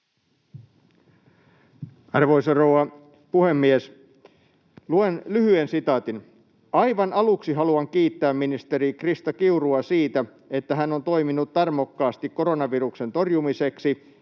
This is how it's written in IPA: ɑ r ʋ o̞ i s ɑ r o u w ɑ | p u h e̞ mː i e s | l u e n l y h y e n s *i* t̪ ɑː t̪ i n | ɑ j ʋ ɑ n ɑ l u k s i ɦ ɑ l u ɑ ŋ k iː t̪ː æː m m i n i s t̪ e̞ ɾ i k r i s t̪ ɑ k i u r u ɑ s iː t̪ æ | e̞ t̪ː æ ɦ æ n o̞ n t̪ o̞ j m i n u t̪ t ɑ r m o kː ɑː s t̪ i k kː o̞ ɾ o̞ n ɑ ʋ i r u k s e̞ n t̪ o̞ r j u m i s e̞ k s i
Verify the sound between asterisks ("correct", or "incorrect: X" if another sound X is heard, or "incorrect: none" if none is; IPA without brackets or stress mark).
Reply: correct